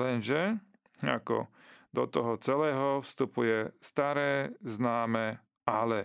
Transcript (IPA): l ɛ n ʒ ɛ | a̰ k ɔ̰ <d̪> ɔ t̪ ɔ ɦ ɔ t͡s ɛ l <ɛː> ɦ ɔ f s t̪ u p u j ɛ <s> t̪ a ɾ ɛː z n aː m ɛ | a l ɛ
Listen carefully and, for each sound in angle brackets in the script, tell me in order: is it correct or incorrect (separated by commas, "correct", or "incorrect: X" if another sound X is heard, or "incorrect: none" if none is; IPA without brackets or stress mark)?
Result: correct, correct, correct